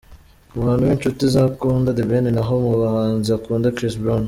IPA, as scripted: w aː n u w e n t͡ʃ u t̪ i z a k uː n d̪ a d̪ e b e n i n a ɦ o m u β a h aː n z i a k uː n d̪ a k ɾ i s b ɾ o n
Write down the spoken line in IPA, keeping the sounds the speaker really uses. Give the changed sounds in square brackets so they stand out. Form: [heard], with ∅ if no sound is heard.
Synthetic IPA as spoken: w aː n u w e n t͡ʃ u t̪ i z a k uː n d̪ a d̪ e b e n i n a ɦ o m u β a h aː n z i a k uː n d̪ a k ɾ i s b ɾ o n